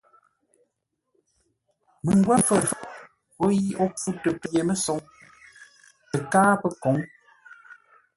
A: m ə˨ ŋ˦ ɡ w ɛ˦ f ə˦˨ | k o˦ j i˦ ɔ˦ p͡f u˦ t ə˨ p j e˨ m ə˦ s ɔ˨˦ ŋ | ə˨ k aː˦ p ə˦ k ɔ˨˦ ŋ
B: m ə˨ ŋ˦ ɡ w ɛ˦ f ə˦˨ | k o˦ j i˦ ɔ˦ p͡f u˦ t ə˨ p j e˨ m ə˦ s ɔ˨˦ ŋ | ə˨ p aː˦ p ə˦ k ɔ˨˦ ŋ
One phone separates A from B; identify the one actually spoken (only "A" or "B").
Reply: A